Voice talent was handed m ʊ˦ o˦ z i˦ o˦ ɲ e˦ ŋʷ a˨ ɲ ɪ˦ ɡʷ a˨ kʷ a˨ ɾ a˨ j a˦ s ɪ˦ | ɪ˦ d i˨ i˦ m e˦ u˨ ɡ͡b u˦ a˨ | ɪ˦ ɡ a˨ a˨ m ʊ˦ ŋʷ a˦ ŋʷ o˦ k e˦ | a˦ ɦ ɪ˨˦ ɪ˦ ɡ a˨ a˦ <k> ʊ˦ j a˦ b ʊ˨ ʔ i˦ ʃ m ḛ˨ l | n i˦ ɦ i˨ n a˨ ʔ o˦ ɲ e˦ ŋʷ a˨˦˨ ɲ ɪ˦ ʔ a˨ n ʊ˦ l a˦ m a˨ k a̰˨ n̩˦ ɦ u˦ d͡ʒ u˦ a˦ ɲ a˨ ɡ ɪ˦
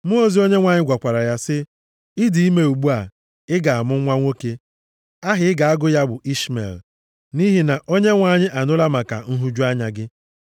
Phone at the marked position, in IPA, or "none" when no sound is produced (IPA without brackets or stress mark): ɡ